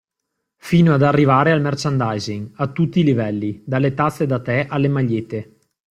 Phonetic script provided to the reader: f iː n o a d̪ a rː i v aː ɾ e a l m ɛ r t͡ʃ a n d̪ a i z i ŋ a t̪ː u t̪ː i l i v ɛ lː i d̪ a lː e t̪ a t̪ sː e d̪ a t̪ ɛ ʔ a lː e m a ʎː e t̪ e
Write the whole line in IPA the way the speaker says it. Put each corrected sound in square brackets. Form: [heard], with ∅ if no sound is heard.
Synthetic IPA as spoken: f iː n o a d̪ a rː i v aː ɾ e a l m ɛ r t͡ʃ a n d̪ a [j] z i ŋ a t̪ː u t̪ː i l i v ɛ lː i d̪ a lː e t̪ a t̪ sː e d̪ a t̪ ɛ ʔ a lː e m a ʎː e t̪ e